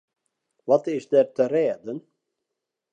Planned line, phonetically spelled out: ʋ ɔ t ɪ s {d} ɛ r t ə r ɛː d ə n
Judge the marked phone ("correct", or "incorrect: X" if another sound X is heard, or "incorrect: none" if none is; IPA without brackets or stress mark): correct